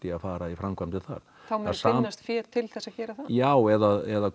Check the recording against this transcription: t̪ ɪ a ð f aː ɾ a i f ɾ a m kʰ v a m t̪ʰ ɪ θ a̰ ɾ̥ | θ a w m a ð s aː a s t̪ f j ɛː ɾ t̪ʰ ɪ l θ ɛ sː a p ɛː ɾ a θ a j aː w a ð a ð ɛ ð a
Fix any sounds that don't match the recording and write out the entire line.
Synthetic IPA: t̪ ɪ a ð f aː ɾ a i f ɾ a m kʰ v a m t̪ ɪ θ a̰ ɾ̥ | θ a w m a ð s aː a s t̪ f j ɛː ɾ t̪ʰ ɪ l θ ɛ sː a c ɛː ɾ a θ a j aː w ɛ ð a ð ɛ ð a